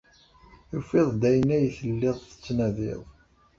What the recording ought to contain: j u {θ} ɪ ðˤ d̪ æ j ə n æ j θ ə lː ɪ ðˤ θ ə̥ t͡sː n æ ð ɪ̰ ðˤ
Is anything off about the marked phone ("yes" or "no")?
yes